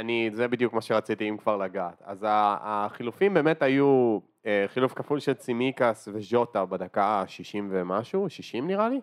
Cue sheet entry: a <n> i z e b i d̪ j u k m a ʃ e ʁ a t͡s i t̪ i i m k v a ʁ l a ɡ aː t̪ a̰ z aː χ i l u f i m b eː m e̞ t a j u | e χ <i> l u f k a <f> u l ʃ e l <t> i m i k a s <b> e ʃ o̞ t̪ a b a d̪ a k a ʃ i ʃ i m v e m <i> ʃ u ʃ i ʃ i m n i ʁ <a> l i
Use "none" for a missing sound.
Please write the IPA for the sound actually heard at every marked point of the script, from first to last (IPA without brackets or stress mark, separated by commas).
n, i, f, t͡s, v, a, a